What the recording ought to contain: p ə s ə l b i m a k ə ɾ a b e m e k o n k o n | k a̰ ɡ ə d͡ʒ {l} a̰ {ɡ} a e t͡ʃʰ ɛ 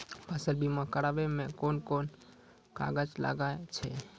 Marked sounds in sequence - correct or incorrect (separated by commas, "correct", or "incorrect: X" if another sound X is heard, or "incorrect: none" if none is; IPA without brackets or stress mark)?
correct, correct